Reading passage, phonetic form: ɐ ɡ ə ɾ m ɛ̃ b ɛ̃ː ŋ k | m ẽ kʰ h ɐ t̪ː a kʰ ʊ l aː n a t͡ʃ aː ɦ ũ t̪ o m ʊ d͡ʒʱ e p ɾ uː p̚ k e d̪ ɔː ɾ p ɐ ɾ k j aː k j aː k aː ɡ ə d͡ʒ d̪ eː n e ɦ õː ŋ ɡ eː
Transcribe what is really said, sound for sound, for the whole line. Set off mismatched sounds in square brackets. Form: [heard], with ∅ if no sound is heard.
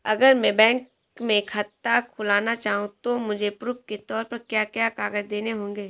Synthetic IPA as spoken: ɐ ɡ ə ɾ m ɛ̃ b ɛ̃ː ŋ k | m ẽ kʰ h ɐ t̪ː a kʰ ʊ l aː n a t͡ʃ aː ɦ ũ t̪ o m ʊ d͡ʒʱ e p ɾ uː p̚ k e [t̪] ɔː ɾ p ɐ ɾ k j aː k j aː k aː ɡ ə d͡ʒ d̪ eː n e ɦ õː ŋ ɡ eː